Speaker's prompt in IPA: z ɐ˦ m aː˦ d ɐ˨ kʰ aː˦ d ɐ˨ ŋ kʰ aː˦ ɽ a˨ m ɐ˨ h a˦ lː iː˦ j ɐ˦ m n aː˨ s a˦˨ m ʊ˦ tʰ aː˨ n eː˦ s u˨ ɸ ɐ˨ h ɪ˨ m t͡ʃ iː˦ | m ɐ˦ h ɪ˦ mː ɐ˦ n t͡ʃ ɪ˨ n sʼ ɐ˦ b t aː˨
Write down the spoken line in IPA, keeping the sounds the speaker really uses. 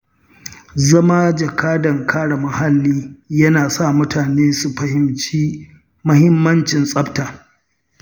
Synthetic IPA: z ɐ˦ m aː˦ d͡ʒ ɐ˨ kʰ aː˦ d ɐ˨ ŋ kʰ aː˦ ɽ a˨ m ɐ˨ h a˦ lː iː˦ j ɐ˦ n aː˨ s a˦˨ m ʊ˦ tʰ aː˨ n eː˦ s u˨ ɸ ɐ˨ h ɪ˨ m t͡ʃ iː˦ | m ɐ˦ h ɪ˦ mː ɐ˦ n t͡ʃ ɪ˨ n sʼ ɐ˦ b t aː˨